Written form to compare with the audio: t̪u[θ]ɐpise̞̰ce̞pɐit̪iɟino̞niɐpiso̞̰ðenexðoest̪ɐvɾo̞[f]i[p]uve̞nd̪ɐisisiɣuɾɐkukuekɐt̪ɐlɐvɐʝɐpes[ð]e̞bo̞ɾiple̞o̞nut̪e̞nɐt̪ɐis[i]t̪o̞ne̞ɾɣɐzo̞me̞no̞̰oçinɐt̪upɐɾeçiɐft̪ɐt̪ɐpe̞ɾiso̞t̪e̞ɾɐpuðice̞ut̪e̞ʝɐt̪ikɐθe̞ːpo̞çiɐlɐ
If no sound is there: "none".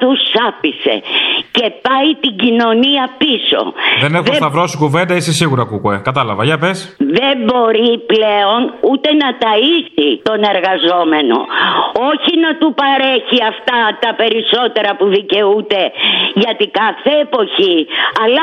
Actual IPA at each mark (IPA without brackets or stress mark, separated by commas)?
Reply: s, s, k, ð, i